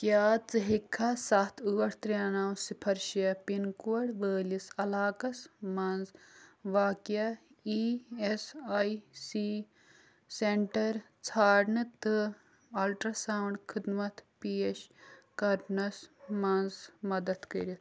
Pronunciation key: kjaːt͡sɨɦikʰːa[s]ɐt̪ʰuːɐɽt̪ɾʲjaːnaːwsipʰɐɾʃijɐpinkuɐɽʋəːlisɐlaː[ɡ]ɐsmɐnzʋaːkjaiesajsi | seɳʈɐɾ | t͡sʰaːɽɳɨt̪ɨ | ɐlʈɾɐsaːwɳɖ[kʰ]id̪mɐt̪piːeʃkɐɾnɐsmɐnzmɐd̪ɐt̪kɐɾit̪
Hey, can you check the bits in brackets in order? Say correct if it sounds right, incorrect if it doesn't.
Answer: correct, incorrect: k, correct

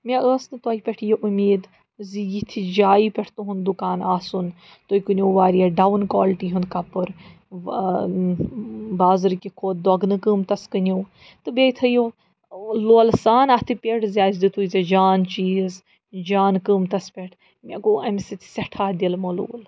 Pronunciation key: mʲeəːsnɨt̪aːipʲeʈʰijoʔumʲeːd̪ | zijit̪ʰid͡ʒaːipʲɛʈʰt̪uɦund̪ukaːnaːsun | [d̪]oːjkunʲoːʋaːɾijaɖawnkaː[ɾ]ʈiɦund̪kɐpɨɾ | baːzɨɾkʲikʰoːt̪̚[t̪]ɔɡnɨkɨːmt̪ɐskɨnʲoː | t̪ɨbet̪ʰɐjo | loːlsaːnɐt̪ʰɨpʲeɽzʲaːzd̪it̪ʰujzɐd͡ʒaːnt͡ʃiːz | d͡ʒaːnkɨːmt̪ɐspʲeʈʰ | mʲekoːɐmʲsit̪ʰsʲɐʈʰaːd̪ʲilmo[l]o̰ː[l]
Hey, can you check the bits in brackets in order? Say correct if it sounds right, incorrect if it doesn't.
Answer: incorrect: t̪, incorrect: l, incorrect: d̪, correct, correct

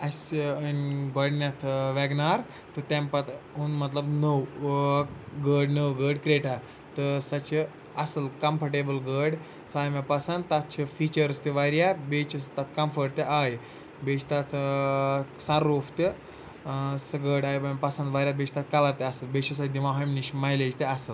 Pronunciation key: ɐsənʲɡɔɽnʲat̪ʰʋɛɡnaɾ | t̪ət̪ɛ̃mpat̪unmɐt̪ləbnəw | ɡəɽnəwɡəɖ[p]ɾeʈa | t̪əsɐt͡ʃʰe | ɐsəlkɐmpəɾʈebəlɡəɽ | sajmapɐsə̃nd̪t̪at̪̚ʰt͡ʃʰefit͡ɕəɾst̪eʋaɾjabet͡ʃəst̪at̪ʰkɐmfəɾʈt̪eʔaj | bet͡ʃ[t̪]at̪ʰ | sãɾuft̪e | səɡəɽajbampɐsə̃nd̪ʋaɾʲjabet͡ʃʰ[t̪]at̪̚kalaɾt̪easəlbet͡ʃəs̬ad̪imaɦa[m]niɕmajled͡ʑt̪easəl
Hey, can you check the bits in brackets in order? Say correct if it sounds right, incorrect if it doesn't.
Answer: incorrect: k, correct, correct, correct

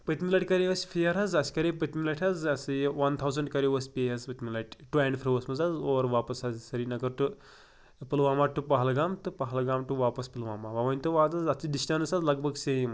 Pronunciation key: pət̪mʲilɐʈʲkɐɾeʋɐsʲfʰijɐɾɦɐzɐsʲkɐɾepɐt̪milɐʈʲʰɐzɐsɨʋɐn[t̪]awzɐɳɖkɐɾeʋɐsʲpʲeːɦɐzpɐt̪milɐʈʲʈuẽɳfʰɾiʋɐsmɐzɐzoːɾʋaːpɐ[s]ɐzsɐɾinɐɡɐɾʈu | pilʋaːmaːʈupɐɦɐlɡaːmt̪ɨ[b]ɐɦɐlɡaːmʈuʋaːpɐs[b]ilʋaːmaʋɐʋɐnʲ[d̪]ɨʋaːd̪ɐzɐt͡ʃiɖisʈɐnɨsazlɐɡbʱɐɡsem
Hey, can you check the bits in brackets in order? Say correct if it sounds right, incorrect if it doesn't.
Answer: incorrect: t̪ʰ, correct, incorrect: p, incorrect: p, incorrect: t̪

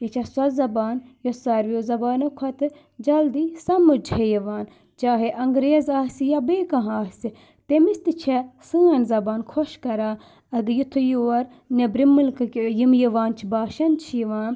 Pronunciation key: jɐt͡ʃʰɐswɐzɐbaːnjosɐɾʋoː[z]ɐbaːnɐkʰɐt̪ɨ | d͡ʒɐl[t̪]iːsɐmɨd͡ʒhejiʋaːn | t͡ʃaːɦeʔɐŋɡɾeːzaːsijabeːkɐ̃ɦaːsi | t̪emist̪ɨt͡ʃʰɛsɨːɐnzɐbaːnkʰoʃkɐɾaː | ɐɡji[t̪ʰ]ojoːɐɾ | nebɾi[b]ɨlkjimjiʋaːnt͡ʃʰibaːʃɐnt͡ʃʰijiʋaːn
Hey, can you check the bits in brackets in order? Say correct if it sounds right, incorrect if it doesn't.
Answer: correct, incorrect: d̪, correct, incorrect: m

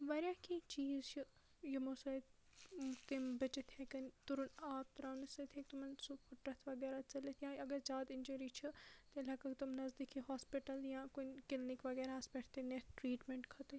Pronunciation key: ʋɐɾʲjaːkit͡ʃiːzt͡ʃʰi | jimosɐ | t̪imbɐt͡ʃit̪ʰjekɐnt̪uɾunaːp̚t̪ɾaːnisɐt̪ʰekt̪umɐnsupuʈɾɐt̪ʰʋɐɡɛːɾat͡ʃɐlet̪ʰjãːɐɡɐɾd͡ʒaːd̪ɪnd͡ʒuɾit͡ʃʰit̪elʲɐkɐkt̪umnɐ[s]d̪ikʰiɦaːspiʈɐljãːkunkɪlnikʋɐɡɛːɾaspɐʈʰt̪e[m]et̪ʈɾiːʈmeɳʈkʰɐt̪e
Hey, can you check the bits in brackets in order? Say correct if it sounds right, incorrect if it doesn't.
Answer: incorrect: z, incorrect: n

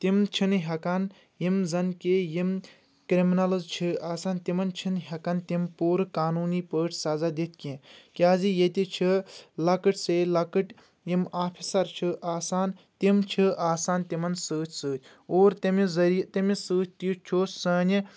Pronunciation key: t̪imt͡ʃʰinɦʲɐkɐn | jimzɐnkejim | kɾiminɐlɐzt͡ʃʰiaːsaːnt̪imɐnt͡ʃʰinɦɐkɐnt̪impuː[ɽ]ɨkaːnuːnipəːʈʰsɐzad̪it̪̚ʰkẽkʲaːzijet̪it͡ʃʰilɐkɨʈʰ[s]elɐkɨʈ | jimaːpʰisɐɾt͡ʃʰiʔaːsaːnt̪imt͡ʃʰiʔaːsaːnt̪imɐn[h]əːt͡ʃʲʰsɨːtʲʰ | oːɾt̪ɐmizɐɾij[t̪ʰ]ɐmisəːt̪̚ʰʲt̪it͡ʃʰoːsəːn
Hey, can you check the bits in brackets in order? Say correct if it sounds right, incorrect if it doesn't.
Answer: incorrect: ɾ, correct, incorrect: s, incorrect: t̪

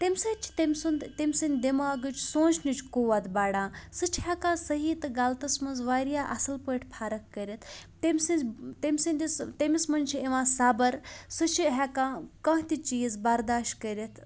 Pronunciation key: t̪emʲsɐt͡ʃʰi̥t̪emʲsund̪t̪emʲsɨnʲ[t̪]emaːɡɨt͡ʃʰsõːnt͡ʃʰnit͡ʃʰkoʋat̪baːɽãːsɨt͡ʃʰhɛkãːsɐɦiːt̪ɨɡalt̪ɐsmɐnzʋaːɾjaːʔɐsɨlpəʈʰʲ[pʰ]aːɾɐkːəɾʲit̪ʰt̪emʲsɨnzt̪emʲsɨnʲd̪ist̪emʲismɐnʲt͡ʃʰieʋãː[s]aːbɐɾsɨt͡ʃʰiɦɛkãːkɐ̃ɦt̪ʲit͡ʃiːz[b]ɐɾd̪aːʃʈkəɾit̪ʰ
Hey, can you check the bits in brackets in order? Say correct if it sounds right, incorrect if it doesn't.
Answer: incorrect: d̪, correct, correct, correct

